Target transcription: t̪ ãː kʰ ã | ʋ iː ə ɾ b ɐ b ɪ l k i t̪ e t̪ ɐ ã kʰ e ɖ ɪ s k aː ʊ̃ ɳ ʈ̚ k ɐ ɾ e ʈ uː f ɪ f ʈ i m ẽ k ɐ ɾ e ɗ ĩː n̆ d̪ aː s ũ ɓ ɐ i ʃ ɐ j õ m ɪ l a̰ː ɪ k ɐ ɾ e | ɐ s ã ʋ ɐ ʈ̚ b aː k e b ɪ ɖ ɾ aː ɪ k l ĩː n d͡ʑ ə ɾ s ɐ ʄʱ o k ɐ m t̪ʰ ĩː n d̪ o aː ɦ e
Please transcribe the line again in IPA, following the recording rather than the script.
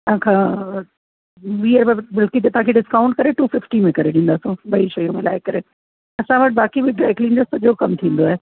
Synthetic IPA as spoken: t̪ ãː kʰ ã | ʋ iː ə ɾ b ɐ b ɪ l k i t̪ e t̪ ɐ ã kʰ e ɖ ɪ s k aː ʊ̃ ɳ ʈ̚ k ɐ ɾ e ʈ uː f ɪ f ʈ i m ẽ k ɐ ɾ e ɗ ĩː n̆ d̪ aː s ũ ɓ ɐ i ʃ ɐ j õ m ɪ l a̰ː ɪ k ɐ ɾ e | ɐ s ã ʋ ɐ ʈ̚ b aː k i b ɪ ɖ ɾ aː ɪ k l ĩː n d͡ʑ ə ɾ s ɐ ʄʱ o k ɐ m t̪ʰ ĩː n d̪ o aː ɦ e